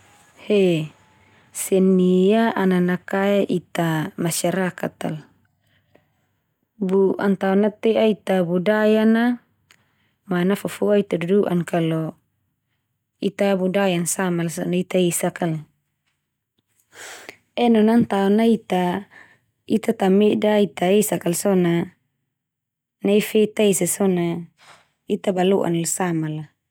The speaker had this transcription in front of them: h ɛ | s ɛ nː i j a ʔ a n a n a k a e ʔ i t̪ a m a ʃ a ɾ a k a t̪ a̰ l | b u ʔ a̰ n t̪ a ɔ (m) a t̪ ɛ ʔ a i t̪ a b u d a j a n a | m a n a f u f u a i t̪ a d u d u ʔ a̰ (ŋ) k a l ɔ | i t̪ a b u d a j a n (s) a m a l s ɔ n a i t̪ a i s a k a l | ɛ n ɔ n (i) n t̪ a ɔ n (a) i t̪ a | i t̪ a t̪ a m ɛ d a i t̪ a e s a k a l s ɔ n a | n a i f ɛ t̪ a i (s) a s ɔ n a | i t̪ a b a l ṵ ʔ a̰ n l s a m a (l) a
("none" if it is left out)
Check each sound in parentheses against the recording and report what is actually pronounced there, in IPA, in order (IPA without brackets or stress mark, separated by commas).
n, n, s, a, a, s, l